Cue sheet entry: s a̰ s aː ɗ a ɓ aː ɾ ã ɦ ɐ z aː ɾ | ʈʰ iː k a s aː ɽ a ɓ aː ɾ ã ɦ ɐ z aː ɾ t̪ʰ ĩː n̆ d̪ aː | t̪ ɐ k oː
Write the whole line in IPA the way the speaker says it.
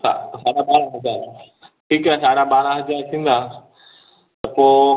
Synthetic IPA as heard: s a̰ s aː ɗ a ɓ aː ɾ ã ɦ ɐ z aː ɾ | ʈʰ iː k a s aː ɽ a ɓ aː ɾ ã ɦ ɐ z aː ɾ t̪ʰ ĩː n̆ d̪ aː | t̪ ɐ p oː